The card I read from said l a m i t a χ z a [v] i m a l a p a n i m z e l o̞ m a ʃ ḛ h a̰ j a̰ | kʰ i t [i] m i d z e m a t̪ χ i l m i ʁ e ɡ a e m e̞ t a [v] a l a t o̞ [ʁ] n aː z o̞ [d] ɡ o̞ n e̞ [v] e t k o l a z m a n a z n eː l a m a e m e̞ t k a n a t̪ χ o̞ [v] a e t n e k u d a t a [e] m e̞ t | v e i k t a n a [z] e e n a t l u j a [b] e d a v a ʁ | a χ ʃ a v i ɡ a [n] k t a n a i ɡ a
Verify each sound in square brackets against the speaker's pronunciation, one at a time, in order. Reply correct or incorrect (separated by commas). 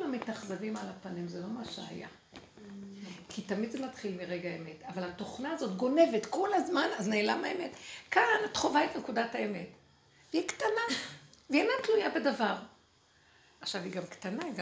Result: correct, incorrect, correct, incorrect, incorrect, correct, correct, correct, incorrect, correct, incorrect